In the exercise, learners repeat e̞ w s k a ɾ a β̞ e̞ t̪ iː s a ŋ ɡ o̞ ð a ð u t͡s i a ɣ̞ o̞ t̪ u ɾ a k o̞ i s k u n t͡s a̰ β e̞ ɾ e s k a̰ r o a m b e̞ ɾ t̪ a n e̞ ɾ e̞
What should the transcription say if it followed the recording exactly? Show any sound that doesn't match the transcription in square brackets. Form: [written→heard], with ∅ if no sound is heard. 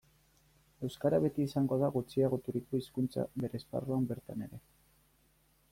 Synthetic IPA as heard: e̞ w s k a ɾ a β̞ e̞ t̪ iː s a ŋ ɡ o̞ ð a [ð→ɣ] u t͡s i a ɣ̞ o̞ t̪ u ɾ [a→i] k o̞ i s k u n t͡s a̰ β e̞ ɾ e s [k→p] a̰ r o a m b e̞ ɾ t̪ a n e̞ ɾ e̞